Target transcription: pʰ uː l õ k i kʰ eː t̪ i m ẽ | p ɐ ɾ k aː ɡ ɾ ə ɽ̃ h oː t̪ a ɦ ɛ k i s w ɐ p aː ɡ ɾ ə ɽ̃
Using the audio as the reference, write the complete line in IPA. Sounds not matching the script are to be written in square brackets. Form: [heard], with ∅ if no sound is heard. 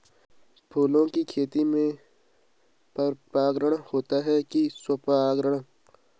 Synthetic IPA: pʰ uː l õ k i kʰ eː t̪ i m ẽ | p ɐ ɾ [p] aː ɡ ɾ ə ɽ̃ h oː t̪ a ɦ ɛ k i s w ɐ p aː ɡ ɾ ə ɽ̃